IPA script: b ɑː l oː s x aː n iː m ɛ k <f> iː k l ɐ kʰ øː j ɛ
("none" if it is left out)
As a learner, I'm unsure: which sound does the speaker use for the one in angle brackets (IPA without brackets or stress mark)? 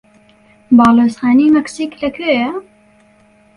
s